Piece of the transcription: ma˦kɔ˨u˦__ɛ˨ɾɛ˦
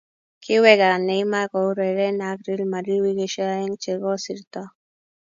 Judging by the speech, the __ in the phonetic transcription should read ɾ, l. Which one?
ɾ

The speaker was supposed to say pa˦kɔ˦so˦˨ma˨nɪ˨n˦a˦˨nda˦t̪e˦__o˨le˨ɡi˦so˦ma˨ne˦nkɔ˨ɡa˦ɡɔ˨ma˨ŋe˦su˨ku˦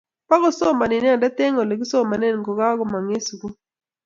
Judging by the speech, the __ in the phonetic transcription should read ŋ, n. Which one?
ŋ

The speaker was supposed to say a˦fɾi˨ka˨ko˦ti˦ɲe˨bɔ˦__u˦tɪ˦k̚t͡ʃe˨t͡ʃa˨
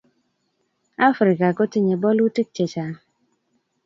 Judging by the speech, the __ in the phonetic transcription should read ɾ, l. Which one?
l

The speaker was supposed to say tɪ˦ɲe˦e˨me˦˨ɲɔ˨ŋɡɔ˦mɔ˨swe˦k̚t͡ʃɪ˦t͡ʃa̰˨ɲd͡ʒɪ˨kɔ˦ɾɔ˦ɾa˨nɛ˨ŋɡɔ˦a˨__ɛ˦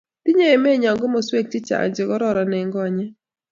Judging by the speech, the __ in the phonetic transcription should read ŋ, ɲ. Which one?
ɲ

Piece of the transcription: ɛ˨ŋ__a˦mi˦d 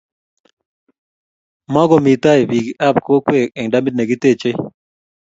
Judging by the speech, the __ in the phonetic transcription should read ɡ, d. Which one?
d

